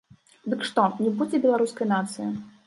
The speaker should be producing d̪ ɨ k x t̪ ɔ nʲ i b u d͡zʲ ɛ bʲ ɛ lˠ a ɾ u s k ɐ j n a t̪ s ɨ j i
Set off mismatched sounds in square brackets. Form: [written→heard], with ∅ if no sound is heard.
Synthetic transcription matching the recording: d̪ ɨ k [x→ʂ] t̪ ɔ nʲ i b u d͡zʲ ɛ bʲ ɛ lˠ a ɾ u s k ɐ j n a t̪ s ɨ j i